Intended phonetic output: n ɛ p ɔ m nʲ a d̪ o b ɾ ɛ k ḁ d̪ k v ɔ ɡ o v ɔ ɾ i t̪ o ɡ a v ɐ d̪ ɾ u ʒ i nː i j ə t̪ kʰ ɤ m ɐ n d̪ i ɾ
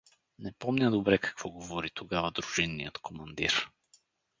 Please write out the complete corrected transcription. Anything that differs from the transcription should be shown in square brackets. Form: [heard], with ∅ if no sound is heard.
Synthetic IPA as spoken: n ɛ p ɔ m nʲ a d̪ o b ɾ ɛ k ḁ [∅] k v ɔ ɡ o v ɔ ɾ i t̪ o ɡ a v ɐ d̪ ɾ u ʒ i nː i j ə t̪ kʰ [o] m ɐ n d̪ i ɾ

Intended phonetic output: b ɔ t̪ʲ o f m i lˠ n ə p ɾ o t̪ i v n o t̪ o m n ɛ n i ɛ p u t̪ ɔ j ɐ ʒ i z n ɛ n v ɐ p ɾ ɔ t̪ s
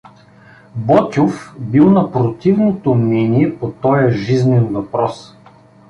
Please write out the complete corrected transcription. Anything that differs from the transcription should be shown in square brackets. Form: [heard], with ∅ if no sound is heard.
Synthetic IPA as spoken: b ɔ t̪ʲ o f [b] i lˠ n [ɐ] p ɾ o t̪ i v n o t̪ o m n ɛ n i ɛ p [o] t̪ ɔ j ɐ ʒ i z n ɛ n v ɐ p ɾ ɔ [∅] s

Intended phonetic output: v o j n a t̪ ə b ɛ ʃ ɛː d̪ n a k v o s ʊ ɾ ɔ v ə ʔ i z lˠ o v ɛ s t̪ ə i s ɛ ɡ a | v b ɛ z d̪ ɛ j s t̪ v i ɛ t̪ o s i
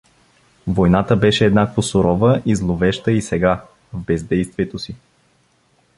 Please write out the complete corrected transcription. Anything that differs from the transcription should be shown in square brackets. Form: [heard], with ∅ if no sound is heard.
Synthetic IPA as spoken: v o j n a t̪ ə b ɛ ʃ ɛː d̪ n a k v o s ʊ ɾ ɔ v ə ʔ i z lˠ o v ɛ [ʃ] t̪ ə i s ɛ ɡ a | v b ɛ z d̪ ɛ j s t̪ v i ɛ t̪ o s i

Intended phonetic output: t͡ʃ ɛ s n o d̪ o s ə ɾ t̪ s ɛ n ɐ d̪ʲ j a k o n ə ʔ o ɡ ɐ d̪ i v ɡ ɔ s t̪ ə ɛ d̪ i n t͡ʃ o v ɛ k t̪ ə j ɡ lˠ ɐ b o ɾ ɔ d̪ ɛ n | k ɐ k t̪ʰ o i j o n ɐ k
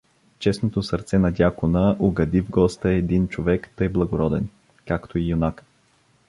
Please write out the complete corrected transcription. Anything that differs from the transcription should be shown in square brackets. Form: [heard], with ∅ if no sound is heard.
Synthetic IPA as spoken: t͡ʃ ɛ s n o [t̪] o s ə ɾ t̪ s ɛ n ɐ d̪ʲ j a k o n ə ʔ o ɡ ɐ d̪ i v ɡ ɔ s t̪ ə ɛ d̪ i n t͡ʃ o v ɛ k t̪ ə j [b] lˠ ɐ [ɡ] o ɾ ɔ d̪ ɛ n | k [a] k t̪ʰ o i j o n [a] k

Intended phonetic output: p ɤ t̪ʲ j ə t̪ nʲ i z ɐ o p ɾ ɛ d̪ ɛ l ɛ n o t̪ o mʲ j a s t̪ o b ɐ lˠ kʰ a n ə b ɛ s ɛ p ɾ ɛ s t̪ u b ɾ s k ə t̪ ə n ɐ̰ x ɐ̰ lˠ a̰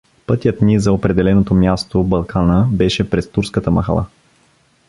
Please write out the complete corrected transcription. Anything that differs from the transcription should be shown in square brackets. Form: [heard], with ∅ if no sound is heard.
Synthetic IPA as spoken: p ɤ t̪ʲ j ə t̪ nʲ i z ɐ o p ɾ ɛ d̪ ɛ l ɛ n o t̪ o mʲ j a s t̪ o b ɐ lˠ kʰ a n ə b ɛ [ʃ] ɛ p ɾ ɛ s t̪ u [∅] ɾ s k ə t̪ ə [m] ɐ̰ x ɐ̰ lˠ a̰

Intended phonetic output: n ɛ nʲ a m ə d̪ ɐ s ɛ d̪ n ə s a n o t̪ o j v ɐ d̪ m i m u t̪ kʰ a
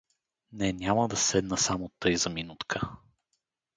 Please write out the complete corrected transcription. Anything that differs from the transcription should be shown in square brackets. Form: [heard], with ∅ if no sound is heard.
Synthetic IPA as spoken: n ɛ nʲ a m ə d̪ ɐ s ɛ d̪ n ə s a [m] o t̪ [ɤ] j [z] ɐ [∅] m i [n] u t̪ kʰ [ə]

